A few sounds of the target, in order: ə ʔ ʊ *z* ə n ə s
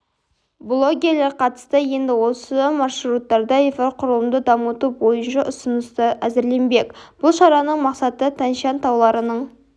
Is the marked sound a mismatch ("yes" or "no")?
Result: yes